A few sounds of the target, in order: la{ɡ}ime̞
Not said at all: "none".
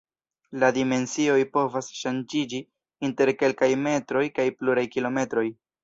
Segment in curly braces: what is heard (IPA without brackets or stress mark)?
d